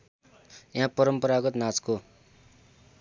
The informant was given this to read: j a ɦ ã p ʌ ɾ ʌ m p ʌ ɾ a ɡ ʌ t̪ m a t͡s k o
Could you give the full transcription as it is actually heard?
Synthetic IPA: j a ɦ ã p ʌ ɾ ʌ m p ʌ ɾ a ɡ ʌ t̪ n a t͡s k o